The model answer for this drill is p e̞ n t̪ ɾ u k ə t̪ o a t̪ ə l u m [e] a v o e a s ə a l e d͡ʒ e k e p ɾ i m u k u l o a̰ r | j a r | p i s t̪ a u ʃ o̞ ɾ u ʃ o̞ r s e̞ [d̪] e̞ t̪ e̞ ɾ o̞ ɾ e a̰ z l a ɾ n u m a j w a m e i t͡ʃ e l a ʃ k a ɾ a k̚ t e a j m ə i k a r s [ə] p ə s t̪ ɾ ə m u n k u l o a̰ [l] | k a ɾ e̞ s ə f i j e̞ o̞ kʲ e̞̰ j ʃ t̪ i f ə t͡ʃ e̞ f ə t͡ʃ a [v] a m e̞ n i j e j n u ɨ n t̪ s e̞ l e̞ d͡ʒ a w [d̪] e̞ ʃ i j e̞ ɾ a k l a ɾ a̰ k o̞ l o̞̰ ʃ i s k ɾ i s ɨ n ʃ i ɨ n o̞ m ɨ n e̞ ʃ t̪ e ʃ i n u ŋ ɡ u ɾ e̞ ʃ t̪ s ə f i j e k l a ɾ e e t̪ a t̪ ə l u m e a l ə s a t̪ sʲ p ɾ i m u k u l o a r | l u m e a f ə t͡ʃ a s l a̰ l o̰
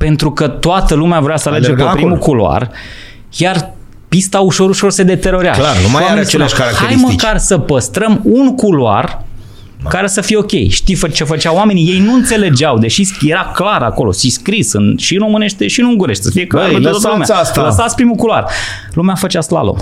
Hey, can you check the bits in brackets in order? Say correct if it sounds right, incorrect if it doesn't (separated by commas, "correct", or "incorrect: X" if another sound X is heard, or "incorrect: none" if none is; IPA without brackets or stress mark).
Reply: correct, correct, correct, incorrect: r, incorrect: w, correct